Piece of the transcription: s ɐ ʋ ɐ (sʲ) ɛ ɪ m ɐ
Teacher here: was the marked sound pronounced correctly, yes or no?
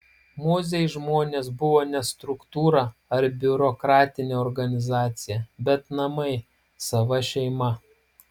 no